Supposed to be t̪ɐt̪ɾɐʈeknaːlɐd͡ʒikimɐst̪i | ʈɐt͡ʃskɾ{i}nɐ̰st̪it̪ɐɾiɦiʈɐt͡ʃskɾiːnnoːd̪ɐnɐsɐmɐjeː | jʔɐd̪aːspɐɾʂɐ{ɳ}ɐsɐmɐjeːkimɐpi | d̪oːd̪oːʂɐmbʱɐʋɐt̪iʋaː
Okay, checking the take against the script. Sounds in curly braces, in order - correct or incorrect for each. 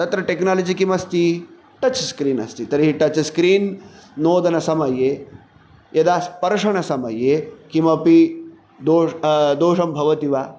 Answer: incorrect, correct

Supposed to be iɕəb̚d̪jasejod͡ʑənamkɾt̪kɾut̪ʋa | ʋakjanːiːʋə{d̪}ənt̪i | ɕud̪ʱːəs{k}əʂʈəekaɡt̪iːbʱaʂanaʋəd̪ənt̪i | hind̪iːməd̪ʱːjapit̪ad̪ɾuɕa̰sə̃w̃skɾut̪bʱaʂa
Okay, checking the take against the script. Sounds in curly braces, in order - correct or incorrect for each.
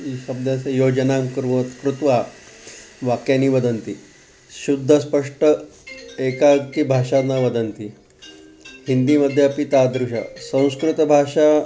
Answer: correct, incorrect

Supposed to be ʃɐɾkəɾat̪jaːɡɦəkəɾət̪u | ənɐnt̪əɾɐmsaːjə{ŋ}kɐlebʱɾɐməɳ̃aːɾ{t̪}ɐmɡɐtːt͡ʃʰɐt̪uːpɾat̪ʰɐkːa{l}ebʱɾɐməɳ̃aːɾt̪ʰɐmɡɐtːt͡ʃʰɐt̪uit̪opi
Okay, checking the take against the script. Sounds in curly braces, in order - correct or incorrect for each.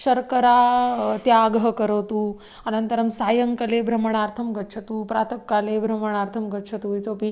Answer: correct, incorrect, correct

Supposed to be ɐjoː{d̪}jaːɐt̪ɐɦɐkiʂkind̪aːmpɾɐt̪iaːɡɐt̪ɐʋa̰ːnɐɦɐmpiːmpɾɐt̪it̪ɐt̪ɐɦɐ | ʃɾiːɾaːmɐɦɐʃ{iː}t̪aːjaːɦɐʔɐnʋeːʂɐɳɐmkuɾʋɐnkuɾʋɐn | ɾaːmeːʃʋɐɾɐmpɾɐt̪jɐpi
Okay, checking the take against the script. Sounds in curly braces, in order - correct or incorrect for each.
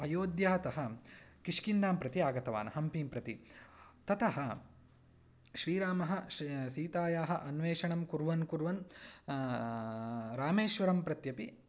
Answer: correct, correct

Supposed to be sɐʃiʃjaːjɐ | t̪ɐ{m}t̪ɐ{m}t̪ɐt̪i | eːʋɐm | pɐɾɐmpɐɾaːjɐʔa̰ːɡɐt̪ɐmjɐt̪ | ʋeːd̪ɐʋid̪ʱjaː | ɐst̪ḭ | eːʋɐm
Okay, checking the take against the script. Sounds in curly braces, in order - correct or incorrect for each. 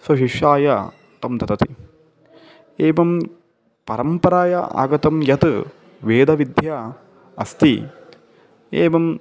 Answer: correct, incorrect

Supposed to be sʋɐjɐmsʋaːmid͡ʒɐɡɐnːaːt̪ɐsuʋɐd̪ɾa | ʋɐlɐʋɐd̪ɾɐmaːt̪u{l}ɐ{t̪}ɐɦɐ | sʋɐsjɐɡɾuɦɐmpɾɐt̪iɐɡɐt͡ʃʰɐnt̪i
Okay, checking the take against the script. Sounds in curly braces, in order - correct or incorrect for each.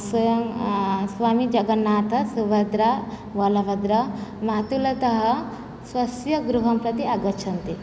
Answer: correct, correct

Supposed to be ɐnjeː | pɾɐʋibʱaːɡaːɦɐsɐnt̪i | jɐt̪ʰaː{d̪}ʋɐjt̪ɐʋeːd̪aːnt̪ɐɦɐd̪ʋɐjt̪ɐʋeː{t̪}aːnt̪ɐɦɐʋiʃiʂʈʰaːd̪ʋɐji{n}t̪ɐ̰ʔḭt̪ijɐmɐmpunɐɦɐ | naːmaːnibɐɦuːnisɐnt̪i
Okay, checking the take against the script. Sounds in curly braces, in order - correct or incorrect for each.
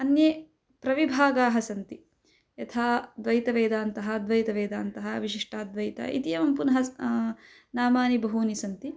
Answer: correct, incorrect, incorrect

